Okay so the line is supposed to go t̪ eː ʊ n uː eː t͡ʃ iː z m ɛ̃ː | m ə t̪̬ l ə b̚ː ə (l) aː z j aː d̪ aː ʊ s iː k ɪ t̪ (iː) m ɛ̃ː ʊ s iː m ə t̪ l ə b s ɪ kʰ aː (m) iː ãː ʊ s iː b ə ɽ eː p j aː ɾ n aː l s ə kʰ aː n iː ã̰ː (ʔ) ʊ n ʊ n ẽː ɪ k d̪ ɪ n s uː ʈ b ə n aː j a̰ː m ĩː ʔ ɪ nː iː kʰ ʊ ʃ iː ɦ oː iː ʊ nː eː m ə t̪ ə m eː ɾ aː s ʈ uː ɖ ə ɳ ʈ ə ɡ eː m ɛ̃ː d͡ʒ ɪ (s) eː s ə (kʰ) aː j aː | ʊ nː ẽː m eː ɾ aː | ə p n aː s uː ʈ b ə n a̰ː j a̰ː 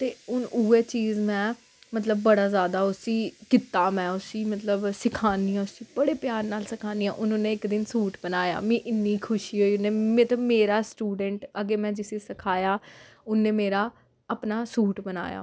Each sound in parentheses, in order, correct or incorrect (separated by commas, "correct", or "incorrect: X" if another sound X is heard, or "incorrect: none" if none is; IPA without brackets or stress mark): incorrect: ɽ, incorrect: aː, incorrect: n, correct, correct, correct